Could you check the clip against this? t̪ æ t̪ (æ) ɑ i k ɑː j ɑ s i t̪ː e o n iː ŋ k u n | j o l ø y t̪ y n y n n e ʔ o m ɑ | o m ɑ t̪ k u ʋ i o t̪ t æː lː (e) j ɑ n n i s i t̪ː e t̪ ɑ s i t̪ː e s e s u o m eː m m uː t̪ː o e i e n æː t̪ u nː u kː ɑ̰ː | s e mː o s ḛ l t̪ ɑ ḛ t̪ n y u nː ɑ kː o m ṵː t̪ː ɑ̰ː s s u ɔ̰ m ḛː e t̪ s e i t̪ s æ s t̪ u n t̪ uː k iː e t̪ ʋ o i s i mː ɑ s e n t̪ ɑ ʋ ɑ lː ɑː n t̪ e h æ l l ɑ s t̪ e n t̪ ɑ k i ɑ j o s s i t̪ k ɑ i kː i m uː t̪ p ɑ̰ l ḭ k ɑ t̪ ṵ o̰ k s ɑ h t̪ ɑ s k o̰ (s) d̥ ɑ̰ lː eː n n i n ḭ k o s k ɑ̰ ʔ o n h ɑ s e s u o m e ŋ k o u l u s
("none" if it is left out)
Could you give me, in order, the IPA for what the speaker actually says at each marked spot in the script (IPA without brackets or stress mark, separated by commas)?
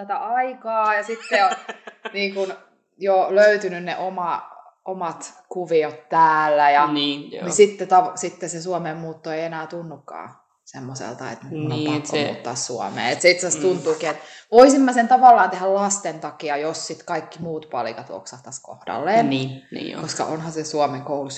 æ, æ, h